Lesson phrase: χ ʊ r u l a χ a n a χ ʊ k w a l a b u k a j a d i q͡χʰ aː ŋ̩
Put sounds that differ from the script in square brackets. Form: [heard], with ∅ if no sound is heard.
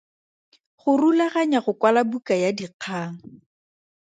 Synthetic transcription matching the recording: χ ʊ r u l a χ a [ɲ] a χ ʊ k w a l a b u k a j a d i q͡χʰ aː ŋ̩